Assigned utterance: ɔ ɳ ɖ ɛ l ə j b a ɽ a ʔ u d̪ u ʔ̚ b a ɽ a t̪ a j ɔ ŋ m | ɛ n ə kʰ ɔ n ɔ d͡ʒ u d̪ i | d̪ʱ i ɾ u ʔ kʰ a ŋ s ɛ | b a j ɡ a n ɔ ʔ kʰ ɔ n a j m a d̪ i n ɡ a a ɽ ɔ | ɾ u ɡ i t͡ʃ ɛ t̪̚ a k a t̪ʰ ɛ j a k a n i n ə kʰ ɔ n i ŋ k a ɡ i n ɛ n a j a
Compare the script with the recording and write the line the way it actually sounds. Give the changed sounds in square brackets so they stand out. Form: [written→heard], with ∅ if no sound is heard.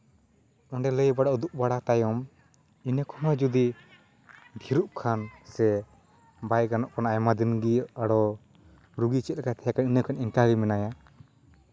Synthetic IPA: ɔ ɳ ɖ ɛ l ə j b a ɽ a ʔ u d̪ u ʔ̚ b a ɽ a t̪ a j ɔ [ŋ→∅] m | [ɛ→i] n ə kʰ ɔ n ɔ d͡ʒ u d̪ i | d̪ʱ i ɾ u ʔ kʰ a [ŋ→n] s ɛ | b a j ɡ a n ɔ ʔ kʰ ɔ n a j m a d̪ i n ɡ [a→i] a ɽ ɔ | ɾ u ɡ i t͡ʃ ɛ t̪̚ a k a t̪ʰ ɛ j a k a n i n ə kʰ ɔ n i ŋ k a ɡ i [n→m] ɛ n a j a